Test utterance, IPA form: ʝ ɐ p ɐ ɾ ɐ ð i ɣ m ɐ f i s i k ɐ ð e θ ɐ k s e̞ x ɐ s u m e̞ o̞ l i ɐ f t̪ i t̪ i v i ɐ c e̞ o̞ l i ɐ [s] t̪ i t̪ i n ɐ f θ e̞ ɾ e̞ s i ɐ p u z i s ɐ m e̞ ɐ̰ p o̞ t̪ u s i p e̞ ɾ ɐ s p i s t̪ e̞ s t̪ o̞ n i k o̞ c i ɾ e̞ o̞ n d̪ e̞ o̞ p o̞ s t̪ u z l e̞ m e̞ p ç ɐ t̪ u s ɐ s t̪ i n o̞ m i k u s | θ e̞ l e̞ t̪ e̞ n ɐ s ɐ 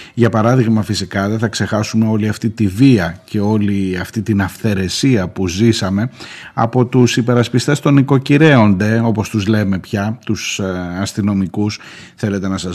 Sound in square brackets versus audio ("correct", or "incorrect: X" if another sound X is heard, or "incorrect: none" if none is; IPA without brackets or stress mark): incorrect: f